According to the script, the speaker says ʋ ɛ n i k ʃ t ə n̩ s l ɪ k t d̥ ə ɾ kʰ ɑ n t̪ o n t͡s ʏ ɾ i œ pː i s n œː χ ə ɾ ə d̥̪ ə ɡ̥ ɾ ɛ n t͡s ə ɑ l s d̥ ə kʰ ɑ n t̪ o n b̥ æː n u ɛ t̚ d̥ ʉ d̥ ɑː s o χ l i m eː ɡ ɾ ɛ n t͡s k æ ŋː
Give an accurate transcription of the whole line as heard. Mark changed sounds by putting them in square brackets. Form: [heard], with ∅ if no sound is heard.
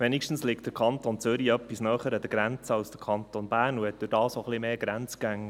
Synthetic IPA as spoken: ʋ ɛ n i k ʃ t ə n̩ s l ɪ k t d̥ ə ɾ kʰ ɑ n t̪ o n t͡s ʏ ɾ i œ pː i s n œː χ ə ɾ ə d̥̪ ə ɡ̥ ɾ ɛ n t͡s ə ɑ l s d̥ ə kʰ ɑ n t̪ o n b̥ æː n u ɛ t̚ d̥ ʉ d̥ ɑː s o χ l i m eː ɡ ɾ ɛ n t͡s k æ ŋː